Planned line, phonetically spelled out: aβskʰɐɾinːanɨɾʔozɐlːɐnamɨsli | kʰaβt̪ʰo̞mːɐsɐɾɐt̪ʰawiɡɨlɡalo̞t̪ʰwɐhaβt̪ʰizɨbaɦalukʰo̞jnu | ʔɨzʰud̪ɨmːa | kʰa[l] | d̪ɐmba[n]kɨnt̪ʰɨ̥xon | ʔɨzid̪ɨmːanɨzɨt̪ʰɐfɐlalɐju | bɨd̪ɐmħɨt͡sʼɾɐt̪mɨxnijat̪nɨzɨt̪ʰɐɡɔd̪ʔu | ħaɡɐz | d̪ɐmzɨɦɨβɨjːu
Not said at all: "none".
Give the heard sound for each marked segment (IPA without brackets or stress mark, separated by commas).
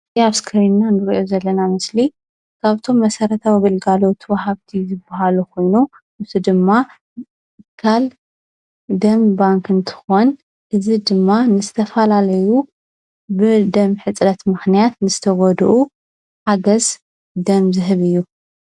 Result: l, ŋ